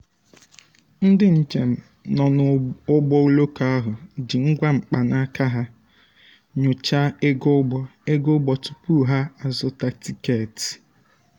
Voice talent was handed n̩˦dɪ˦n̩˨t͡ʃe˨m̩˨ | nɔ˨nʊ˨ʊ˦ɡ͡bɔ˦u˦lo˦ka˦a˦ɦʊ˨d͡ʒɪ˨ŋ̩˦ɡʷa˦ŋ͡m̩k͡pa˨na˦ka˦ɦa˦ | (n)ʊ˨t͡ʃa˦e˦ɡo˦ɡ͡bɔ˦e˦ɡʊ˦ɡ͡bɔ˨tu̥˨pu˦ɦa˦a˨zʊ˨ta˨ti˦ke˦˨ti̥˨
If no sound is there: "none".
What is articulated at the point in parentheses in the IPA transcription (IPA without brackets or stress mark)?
ɲ